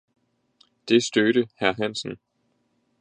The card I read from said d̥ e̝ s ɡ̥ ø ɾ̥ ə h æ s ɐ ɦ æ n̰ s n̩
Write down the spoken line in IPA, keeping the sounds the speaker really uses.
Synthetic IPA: d̥ e̝ s d̥ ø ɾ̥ ə h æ ɐ ɦ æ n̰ s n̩